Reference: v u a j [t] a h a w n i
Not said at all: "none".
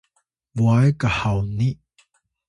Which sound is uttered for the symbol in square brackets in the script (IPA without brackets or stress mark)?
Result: k